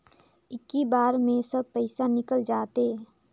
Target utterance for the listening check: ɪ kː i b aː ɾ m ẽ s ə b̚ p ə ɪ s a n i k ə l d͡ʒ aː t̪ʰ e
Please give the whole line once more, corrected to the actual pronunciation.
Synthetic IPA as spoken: ɪ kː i b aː ɾ m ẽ s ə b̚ p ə ɪ s a n ɪ k ə l d͡ʒ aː t̪ e